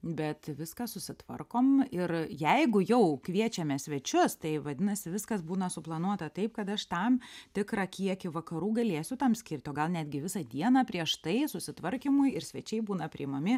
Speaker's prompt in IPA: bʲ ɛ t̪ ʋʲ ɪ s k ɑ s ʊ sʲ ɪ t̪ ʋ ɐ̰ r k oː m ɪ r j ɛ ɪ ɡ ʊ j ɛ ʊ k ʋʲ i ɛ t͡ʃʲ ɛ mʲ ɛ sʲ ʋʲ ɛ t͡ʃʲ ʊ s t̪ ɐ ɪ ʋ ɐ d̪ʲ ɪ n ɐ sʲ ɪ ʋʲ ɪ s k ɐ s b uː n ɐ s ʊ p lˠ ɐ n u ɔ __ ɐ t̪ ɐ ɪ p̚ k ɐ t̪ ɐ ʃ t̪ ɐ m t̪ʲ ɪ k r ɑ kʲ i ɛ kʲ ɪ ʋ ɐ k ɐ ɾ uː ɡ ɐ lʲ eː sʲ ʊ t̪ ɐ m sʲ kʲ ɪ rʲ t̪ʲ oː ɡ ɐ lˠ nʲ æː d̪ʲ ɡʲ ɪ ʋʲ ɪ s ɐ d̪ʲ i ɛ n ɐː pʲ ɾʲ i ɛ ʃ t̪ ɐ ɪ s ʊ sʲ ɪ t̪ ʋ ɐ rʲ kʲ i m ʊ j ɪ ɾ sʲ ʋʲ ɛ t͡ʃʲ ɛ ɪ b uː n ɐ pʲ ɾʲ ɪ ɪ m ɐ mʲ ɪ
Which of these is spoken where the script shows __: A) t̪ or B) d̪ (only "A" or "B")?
A